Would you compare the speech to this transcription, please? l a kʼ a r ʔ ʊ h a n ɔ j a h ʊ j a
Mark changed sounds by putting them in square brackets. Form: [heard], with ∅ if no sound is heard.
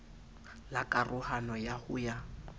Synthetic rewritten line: l a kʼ a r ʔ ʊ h a n ɔ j a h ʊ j a